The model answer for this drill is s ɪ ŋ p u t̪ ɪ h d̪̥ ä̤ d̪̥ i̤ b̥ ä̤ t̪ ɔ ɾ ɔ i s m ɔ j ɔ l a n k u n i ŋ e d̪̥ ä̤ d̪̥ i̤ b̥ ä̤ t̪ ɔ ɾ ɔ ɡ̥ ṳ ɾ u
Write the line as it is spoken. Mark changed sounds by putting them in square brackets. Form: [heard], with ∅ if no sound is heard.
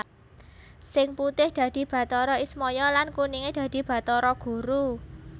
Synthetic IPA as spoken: s ɪ ŋ p u t̪ ɪ h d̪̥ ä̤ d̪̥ i̤ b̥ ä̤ t̪ ɔ ɾ ɔ i s m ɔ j ɔ l a n k u n i ŋ e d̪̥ ä̤ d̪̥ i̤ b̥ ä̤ t̪ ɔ ɾ ɔ ɡ̥ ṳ ɾ u

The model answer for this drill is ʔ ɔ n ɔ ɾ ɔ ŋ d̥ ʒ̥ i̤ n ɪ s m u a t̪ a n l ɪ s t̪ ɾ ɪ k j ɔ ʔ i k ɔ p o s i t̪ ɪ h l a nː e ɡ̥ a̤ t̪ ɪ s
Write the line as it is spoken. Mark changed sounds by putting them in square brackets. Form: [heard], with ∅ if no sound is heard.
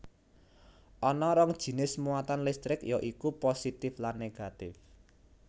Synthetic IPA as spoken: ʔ ɔ n ɔ ɾ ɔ ŋ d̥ ʒ̥ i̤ n ɪ s m u a t̪ a n l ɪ s t̪ ɾ ɪ k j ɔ ʔ i k [u] p o s i t̪ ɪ [f] l a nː e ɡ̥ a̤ t̪ ɪ [f]

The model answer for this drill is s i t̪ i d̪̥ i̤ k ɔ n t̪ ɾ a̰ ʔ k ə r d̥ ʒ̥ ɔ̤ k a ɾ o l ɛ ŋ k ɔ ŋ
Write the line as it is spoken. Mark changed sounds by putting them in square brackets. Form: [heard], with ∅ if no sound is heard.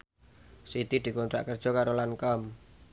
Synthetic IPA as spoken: s i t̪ i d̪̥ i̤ k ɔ n t̪ ɾ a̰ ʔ k ə r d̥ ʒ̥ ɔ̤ k a ɾ o l [a] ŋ k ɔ [m]

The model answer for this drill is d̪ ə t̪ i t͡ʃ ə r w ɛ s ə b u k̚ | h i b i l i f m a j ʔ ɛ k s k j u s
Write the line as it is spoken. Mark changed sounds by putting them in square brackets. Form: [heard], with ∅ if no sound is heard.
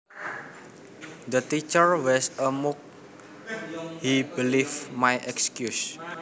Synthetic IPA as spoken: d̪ ə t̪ i t͡ʃ ə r w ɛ s ə [m] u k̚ | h i b i l i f m a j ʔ ɛ k s k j u s

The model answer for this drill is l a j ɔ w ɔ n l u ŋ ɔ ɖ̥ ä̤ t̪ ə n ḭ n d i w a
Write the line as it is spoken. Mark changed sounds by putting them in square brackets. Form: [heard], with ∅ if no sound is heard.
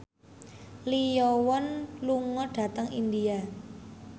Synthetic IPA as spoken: l [i] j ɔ w ɔ n l u ŋ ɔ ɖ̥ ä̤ t̪ ə [ŋ] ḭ n d i [∅] a

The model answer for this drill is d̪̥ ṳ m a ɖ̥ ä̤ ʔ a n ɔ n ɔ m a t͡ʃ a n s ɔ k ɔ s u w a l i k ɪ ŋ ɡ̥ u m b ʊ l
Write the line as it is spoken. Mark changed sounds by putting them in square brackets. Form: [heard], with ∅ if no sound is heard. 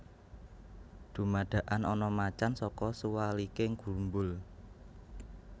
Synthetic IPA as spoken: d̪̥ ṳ m a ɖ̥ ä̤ ʔ a n ɔ n ɔ m a t͡ʃ a n s ɔ k ɔ s u w a l i k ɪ ŋ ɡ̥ u m b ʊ l

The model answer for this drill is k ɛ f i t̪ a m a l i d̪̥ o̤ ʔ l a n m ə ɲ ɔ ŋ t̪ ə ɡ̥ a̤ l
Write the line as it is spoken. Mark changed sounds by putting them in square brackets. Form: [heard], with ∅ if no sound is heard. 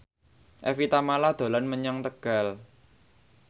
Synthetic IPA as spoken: [ʔ] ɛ f i t̪ a m a l [a] d̪̥ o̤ [∅] l a n m ə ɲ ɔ ŋ t̪ ə ɡ̥ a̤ l

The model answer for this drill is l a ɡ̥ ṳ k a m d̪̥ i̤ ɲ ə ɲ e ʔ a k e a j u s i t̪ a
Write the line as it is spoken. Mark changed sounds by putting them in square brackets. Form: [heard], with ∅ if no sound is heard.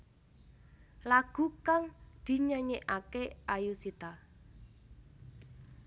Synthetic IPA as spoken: l a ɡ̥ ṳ k a [ŋ] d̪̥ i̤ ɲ ə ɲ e ʔ a k e a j u s i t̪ a

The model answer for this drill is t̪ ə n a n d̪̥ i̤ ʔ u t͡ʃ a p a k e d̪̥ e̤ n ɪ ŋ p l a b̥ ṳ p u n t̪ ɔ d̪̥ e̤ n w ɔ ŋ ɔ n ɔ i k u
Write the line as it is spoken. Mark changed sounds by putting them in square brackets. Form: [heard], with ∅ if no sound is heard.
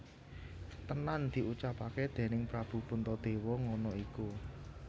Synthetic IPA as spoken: t̪ ə n a n d̪̥ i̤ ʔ u t͡ʃ a p a k e d̪̥ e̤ n ɪ ŋ p [ɾ] a b̥ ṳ p u n t̪ ɔ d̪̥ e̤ [∅] w ɔ ŋ ɔ n ɔ i k u

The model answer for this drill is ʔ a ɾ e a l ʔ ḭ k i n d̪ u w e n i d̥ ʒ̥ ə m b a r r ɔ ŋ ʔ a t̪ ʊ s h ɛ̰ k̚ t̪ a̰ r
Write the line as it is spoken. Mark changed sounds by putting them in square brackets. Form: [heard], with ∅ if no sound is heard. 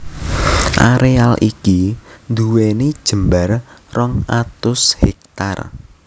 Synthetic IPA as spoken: ʔ a ɾ e a l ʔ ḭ k i n d̪ u w e n i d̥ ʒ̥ ə m b a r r ɔ ŋ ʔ a t̪ ʊ s h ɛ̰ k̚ t̪ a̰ r

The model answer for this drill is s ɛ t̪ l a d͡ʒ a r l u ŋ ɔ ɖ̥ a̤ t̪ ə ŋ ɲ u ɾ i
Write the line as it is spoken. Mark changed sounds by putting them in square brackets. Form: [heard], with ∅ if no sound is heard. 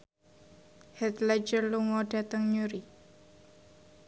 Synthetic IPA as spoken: [h] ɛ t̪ l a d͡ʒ [ə] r l u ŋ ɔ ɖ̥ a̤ t̪ ə ŋ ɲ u ɾ i

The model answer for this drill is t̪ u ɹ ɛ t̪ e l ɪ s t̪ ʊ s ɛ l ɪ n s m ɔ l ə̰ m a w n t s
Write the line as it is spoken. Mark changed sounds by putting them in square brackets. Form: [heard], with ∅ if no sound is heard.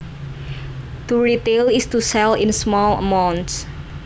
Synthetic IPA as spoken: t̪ u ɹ [i] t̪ e l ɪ s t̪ [u] s ɛ l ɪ n s m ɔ l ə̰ m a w n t s

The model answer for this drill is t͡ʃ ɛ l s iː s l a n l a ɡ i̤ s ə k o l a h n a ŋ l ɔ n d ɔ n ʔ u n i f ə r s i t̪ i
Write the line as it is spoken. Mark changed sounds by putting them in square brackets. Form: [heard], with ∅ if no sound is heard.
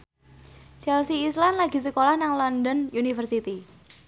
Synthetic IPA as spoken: t͡ʃ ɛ l s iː s l a n l a ɡ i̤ s ə k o l a h n a ŋ l ɔ n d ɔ n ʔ u n i f ə r s i t̪ i

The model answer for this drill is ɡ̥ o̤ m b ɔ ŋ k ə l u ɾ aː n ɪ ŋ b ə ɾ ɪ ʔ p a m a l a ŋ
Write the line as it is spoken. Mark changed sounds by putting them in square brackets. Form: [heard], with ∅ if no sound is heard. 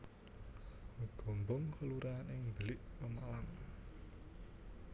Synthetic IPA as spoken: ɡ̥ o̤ m b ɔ ŋ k ə l u ɾ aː n ɪ ŋ b ə [l] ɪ ʔ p [ə] m a l a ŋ

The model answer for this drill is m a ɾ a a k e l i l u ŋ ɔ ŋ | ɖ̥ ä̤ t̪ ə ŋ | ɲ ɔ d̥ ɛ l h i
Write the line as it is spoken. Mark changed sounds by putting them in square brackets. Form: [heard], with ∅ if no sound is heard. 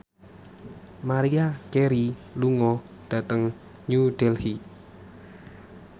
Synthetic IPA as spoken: m a ɾ [i] a k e [ɾ] i l u ŋ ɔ [∅] | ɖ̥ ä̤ t̪ ə ŋ | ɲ [u] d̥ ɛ l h i

